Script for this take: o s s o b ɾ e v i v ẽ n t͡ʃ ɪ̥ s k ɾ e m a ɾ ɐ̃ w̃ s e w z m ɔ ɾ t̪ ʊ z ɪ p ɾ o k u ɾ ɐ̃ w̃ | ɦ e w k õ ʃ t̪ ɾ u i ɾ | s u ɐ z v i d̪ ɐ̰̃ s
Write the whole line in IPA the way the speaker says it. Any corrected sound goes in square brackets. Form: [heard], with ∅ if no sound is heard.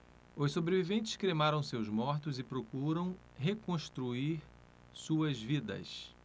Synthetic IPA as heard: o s s o b ɾ e v i v ẽ n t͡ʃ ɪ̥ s k ɾ e m a ɾ ɐ̃ w̃ s e w z m ɔ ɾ t̪ ʊ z ɪ p ɾ o k u ɾ ɐ̃ w̃ | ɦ e [∅] k õ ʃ t̪ ɾ u i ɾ | s u ɐ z v i d̪ [ɐ̰] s

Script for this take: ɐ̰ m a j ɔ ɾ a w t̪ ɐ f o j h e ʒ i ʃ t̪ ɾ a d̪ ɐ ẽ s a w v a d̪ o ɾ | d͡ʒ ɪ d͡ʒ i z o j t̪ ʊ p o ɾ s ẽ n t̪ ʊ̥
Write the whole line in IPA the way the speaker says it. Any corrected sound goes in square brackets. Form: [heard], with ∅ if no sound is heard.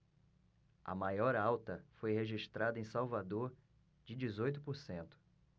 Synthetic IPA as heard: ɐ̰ m a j ɔ ɾ a w t̪ ɐ f o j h e ʒ i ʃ t̪ ɾ a d̪ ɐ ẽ s a w v a d̪ o ɾ | d͡ʒ ɪ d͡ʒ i z o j t̪ ʊ p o ɾ s ẽ n t̪ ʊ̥

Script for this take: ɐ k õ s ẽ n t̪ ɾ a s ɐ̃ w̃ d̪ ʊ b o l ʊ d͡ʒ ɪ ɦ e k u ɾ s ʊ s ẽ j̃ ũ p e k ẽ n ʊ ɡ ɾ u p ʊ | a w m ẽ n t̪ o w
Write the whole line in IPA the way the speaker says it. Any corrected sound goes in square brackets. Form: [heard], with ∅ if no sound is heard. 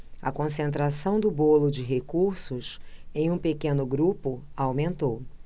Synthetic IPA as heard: ɐ k õ s ẽ n t̪ ɾ a s ɐ̃ w̃ d̪ ʊ b o l ʊ d͡ʒ ɪ ɦ e k u ɾ s ʊ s ẽ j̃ ũ p e k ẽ n ʊ ɡ ɾ u p ʊ | a w m ẽ n t̪ o w

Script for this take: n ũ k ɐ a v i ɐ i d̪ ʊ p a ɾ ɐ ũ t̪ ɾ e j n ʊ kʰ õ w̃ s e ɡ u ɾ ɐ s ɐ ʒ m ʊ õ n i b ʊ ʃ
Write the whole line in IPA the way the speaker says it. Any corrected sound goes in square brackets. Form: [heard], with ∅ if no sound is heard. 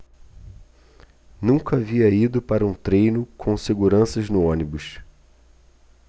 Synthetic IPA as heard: n ũ k ɐ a v i ɐ i d̪ ʊ p a ɾ ɐ ũ t̪ ɾ e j n ʊ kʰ õ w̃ s e ɡ u ɾ [ɐ̃] s ɐ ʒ [n] ʊ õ n i b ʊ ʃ

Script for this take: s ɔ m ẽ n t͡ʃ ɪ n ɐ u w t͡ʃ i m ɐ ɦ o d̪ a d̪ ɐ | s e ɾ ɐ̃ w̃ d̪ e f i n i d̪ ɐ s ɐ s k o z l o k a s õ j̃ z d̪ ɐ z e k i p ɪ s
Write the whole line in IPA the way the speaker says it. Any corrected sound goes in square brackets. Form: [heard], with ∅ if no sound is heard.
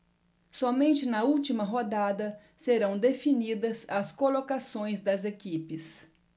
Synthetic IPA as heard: s ɔ m ẽ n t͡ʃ ɪ n ɐ u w t͡ʃ i m ɐ ɦ o d̪ a d̪ ɐ | s e ɾ ɐ̃ w̃ d̪ e f i n i d̪ ɐ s ɐ s k o [∅] l o k a s õ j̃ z d̪ ɐ z e k i p ɪ s

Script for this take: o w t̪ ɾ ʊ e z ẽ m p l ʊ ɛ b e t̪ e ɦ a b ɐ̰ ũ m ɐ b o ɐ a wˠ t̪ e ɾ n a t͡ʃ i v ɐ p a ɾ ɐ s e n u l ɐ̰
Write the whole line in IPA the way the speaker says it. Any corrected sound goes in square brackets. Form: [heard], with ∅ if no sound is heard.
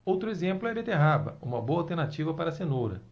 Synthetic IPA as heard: o w t̪ ɾ ʊ e z ẽ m p l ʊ ɛ b e t̪ e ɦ a b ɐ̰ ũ m ɐ b o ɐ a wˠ t̪ e ɾ n a t͡ʃ i v ɐ p a ɾ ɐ s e n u [ɾ] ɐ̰

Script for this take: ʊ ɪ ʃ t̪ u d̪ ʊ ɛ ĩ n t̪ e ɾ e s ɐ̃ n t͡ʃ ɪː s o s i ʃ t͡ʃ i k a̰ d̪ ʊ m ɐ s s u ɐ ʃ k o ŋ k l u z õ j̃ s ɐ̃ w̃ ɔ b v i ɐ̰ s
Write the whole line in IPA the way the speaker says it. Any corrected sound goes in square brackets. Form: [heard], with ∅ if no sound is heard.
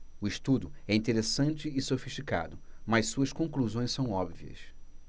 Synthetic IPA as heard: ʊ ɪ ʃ t̪ u d̪ ʊ ɛ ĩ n t̪ e ɾ e s ɐ̃ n t͡ʃ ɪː s o [f] i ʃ t͡ʃ i k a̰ d̪ ʊ m ɐ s s u ɐ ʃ k [õ] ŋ k l u z õ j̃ s ɐ̃ w̃ ɔ b v i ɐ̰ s

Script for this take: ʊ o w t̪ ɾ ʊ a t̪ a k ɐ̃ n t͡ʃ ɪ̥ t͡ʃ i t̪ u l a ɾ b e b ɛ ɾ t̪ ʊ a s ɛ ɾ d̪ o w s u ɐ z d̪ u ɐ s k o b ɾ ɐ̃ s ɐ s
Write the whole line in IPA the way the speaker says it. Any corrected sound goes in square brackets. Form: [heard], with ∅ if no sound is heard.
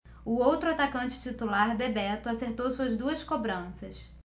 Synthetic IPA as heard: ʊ o w t̪ ɾ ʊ a t̪ a k ɐ̃ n t͡ʃ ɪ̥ t͡ʃ i t̪ u l a ɾ b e b ɛ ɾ t̪ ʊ a s [e] ɾ [t̪] o w s u ɐ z d̪ u ɐ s k o b ɾ ɐ̃ s ɐ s

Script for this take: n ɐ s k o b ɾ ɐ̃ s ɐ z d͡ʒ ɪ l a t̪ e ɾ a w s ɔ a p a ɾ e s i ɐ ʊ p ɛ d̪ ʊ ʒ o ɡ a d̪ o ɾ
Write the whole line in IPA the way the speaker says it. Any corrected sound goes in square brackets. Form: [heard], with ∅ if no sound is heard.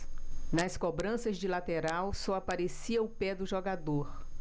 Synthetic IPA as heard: n ɐ s k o b ɾ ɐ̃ s ɐ z d͡ʒ ɪ l a t̪ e ɾ a w s ɔ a p a ɾ e s i ɐ ʊ p ɛ d̪ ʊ ʒ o ɡ a d̪ o ɾ

